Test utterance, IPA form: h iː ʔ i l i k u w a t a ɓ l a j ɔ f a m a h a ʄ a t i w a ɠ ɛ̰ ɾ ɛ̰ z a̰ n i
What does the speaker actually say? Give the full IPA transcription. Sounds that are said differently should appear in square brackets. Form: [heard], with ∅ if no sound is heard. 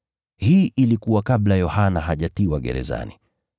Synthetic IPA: h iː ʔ i l i k u w a [k] a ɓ l a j ɔ [h] a [n] a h a ʄ a t i w a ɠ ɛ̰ ɾ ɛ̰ z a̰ n i